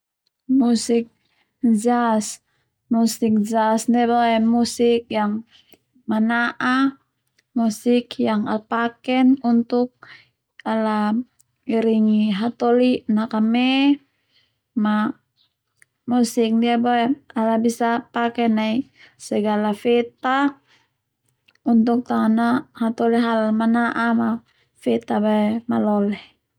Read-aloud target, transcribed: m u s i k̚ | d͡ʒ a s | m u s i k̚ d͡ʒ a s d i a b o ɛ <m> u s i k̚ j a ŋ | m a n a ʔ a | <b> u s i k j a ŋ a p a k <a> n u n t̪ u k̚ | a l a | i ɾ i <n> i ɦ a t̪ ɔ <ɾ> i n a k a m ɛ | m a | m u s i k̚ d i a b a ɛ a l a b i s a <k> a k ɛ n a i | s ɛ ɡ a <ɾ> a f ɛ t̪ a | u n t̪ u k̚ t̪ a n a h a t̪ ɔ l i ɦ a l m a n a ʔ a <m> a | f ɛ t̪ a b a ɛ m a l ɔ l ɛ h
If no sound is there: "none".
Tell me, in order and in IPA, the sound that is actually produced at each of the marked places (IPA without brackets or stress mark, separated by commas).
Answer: m, m, ɛ, ŋ, l, p, l, m